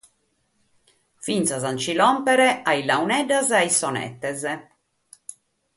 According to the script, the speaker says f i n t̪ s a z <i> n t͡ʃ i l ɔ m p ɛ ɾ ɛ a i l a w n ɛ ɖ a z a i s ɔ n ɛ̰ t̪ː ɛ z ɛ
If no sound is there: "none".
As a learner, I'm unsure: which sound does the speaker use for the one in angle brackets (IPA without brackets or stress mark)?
a